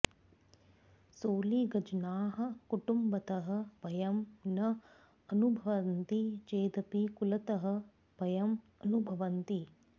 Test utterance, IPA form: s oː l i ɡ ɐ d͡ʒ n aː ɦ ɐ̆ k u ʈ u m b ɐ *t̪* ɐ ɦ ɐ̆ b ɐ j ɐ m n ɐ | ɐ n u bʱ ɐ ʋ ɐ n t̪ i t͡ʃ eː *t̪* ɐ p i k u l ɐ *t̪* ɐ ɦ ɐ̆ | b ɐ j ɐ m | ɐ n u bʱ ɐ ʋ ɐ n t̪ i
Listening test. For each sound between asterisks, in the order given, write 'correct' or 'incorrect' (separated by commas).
correct, incorrect, correct